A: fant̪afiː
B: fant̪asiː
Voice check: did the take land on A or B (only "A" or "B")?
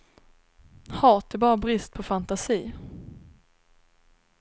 B